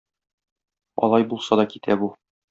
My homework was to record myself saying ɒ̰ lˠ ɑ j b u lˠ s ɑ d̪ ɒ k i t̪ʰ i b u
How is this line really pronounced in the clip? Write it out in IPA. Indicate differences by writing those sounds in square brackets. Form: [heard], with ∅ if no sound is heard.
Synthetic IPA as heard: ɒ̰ lˠ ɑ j b u lˠ s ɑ d̪ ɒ k i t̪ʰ [æ] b u

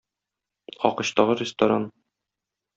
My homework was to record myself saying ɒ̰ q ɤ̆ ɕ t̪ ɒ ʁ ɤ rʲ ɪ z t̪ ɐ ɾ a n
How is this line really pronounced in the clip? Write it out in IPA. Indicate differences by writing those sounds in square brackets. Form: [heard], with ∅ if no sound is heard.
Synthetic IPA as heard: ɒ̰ q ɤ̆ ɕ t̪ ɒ ʁ ɤ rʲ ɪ [s] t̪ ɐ ɾ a n

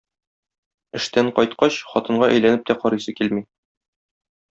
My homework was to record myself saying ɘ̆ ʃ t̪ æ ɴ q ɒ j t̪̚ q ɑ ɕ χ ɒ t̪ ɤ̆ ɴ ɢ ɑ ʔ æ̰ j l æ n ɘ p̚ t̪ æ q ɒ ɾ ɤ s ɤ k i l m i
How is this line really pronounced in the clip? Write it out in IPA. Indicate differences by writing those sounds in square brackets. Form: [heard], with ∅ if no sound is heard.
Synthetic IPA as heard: ɘ̆ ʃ t̪ æ ɴ q ɒ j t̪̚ q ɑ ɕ χ ɒ t̪ ɤ̆ ɴ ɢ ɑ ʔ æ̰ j l æ n ɘ p̚ t̪ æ q ɒ ɾ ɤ s ɤ k i l m i

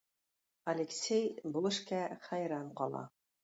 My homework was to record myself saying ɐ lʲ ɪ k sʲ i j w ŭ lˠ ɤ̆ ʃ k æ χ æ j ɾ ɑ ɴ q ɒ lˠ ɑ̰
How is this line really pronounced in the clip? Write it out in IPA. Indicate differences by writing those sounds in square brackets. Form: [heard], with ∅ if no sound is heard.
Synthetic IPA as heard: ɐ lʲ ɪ k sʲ [e] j [b] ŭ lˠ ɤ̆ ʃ k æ χ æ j ɾ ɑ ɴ q ɒ lˠ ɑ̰

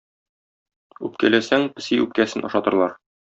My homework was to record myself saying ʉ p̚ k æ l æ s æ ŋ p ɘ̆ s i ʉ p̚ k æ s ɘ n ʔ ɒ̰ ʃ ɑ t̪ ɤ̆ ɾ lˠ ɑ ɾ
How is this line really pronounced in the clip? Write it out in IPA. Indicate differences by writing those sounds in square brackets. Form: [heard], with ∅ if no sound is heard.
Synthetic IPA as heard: ʉ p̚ k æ l æ s æ ŋ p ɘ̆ s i ʉ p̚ k æ s ɘ n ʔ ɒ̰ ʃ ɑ t̪ ɤ̆ ɾ lˠ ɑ ɾ

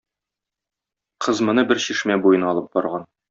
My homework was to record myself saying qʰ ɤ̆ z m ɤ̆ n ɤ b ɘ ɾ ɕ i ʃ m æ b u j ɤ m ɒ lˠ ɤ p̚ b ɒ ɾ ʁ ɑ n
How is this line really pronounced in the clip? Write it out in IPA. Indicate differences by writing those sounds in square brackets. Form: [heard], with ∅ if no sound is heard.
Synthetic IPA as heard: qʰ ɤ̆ z m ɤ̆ n ɤ b ɘ ɾ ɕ i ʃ m æ b u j ɤ [n] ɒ lˠ ɤ p̚ b ɒ ɾ ʁ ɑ n

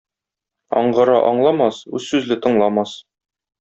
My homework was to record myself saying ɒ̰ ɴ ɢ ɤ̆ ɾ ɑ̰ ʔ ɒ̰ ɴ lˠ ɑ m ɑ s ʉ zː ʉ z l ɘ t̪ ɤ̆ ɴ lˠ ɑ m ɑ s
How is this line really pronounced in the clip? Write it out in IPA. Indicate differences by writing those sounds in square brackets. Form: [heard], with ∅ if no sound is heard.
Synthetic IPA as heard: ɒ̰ ɴ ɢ ɤ̆ ɾ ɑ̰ ʔ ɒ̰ ɴ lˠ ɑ m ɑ s ʉ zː ʉ z l ɘ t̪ ɤ̆ ɴ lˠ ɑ m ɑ s

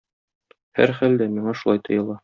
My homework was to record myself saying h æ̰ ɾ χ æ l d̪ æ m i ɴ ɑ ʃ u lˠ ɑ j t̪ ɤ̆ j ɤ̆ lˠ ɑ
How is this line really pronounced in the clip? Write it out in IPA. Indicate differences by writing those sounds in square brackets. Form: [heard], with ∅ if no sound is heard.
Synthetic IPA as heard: h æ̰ ɾ χ æ l d̪ æ m i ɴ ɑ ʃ u lˠ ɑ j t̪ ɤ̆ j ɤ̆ lˠ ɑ

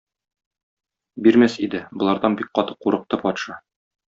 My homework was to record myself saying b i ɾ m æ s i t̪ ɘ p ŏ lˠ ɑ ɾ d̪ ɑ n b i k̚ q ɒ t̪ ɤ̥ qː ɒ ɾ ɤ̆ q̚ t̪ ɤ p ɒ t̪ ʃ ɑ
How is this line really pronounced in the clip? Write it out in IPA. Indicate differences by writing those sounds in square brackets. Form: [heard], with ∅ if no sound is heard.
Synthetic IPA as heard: b i ɾ m æ s i [d̪] ɘ [b] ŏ lˠ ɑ ɾ d̪ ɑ n b i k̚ q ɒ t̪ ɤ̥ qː [u] ɾ ɤ̆ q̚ t̪ ɤ p ɒ t̪ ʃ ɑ

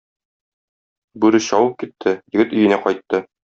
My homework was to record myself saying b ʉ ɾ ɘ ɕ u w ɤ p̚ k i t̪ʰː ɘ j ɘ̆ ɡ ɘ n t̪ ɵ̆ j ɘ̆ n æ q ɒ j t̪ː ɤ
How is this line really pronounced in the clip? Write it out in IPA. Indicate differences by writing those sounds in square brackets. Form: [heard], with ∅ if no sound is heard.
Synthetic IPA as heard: b ʉ ɾ ɘ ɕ [ɒ] w ɤ p̚ k i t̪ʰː ɘ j ɘ̆ ɡ ɘ [∅] t̪ ɵ̆ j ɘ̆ n æ q ɒ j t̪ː ɤ

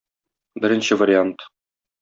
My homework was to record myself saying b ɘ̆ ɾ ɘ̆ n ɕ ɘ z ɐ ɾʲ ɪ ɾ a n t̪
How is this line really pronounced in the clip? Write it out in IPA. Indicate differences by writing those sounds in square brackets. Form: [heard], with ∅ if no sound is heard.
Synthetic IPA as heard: b ɘ̆ ɾ ɘ̆ n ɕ ɘ [v] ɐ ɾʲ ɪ [∅] a n t̪

